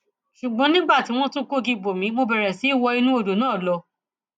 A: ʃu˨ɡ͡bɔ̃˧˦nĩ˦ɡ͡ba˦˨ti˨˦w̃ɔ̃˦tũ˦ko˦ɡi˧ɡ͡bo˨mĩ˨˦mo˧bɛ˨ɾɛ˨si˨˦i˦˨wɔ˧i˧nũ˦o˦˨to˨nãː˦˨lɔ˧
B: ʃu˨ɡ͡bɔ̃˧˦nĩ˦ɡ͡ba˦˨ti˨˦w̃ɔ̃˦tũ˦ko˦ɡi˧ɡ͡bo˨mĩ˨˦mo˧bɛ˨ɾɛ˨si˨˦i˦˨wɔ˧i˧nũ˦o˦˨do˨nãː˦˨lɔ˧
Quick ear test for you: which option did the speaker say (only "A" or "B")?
B